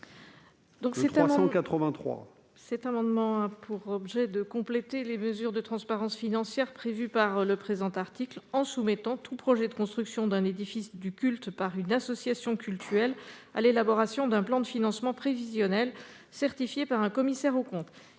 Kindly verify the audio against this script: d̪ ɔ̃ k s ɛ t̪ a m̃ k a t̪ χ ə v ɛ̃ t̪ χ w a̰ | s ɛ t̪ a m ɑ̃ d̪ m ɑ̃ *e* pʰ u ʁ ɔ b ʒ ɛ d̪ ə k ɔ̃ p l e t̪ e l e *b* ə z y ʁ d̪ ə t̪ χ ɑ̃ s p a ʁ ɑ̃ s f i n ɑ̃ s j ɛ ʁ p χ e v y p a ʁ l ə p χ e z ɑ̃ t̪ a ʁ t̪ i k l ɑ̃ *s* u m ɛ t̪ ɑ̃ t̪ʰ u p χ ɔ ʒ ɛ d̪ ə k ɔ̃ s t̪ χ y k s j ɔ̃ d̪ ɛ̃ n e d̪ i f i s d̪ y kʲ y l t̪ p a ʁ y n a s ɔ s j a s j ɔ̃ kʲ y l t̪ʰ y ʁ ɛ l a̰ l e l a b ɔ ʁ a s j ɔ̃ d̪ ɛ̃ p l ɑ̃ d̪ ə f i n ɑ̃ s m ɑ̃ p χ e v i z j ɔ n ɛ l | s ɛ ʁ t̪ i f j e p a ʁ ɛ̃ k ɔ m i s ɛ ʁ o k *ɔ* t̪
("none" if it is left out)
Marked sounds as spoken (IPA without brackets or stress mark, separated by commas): a, m, s, ɔ̃